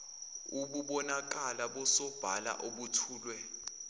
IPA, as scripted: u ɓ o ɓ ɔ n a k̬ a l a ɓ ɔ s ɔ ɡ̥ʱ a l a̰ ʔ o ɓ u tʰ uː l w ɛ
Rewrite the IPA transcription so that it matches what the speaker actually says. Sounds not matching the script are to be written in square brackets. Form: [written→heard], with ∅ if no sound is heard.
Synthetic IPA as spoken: u ɓ [o→u] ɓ ɔ n a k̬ a l a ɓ ɔ s ɔ [ɡ̥ʱ→b̥ʱ] a l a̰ ʔ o ɓ u tʰ uː l w ɛ